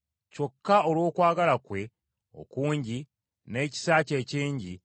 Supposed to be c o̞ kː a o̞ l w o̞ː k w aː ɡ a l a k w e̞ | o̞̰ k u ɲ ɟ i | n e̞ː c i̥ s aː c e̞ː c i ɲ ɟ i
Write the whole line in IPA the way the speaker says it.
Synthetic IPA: c o̞ kː a o̞ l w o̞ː k w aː ɡ a l a k w e̞ | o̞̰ k uː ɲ ɟ i | n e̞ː c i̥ s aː c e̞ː c iː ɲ ɟ i